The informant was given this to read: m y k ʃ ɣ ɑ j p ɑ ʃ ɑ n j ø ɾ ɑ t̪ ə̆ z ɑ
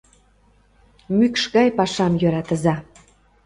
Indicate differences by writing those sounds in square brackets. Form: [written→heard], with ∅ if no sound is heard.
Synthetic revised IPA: m y k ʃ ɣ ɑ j p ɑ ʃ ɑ [n→m] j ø ɾ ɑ t̪ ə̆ z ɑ